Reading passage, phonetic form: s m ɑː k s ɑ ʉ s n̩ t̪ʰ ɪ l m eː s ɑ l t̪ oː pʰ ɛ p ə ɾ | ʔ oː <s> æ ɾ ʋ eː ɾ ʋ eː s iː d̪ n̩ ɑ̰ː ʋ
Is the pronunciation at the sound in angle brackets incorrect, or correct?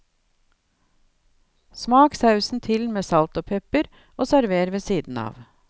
correct